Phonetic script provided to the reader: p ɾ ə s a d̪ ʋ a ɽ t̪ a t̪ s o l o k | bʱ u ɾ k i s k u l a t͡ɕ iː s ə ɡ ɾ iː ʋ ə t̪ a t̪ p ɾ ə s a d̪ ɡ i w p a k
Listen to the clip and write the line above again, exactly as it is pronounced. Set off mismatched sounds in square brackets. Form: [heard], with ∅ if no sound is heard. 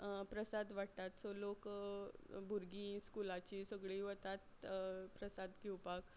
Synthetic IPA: p ɾ ə s a d̪ ʋ a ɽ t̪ a t̪ s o l o k | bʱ u ɾ [ɡ] i s k u l a t͡ɕ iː s ə ɡ [ɭ] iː ʋ ə t̪ a t̪ p ɾ ə s a d̪ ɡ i w p a k